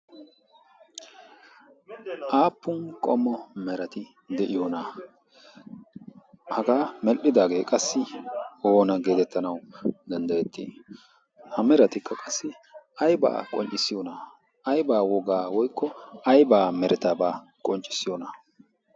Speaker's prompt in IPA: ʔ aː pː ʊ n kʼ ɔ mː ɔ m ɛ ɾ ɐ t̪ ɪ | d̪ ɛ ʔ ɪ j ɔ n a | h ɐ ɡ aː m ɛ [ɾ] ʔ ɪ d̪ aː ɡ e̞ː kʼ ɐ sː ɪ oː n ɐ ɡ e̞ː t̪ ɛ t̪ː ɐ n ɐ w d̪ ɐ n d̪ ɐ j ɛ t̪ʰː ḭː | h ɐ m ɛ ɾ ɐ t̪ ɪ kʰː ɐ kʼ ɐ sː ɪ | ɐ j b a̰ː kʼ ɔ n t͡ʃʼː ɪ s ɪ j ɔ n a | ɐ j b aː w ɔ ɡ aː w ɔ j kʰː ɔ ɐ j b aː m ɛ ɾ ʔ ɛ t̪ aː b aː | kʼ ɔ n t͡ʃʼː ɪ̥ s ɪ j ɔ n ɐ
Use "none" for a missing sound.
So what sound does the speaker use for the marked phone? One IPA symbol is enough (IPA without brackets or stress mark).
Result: l